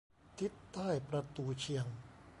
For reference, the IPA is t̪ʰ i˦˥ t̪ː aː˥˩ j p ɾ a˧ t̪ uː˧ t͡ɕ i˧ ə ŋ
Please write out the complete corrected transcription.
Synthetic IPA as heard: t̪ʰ i˦˥ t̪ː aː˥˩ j p ɾ a˧ t̪ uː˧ t͡ɕʰ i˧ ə ŋ